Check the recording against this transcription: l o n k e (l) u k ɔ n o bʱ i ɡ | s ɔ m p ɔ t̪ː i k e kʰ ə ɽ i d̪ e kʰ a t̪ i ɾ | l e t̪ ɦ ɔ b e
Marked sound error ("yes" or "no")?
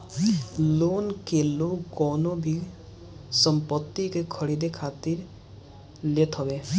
no